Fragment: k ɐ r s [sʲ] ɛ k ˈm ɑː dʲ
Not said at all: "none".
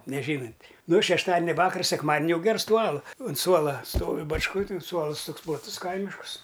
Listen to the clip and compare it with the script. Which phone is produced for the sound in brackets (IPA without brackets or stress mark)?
sʲ